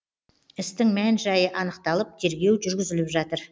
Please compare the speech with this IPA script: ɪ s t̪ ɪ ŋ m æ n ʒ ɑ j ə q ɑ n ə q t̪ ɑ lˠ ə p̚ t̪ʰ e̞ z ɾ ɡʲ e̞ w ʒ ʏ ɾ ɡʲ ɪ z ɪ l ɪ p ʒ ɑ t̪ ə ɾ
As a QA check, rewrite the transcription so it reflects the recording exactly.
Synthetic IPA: ɪ s t̪ ɪ ŋ m æ n ʒ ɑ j ə ʔ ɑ n ə q t̪ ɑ lˠ ə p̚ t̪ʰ e̞ ɾ ɡʲ e̞ w ʒ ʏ ɾ ɡʲ ɪ z ɪ l ɪ p ʒ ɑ t̪ ə ɾ